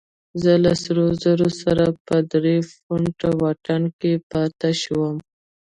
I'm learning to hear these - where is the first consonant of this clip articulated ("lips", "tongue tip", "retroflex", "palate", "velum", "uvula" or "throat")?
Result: tongue tip